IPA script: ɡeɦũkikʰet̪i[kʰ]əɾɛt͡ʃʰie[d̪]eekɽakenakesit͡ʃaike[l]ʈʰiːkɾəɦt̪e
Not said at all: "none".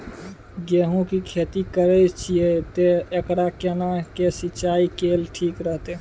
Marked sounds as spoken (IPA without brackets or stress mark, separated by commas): k, t̪, l